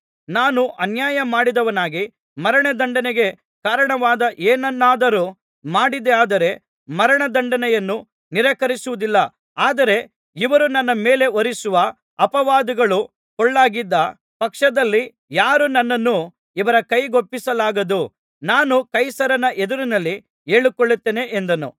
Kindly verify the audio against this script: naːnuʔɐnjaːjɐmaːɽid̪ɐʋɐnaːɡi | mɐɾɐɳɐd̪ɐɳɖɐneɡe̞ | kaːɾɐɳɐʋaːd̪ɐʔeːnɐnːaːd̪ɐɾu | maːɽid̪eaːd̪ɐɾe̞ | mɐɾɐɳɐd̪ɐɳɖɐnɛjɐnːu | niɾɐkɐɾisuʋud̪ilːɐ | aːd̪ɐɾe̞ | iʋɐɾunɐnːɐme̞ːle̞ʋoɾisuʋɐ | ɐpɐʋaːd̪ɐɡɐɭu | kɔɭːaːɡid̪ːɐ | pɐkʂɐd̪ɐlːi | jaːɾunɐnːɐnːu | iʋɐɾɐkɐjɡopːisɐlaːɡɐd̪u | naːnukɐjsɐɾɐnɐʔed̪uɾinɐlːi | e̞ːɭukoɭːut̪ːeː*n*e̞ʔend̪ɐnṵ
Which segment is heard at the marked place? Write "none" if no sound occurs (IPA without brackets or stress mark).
n